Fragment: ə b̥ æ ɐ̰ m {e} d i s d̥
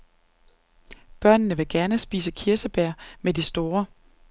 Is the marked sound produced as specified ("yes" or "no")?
yes